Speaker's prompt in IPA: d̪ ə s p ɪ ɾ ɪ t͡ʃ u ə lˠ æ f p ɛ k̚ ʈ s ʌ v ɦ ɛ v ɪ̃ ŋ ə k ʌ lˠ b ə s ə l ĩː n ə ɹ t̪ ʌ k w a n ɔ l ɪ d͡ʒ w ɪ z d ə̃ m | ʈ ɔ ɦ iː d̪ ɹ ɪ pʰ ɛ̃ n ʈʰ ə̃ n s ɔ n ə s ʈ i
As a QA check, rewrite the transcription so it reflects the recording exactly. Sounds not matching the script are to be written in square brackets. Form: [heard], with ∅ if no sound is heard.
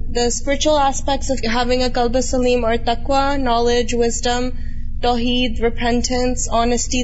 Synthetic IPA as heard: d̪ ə s p ɪ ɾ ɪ t͡ʃ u ə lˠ æ [s] p ɛ k̚ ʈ s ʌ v ɦ [æ] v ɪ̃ ŋ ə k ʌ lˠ b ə s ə l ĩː [m] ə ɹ t̪ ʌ k w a n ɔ l ɪ d͡ʒ w ɪ z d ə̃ m | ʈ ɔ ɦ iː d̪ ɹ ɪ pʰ ɛ̃ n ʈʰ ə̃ n s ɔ n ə s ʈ i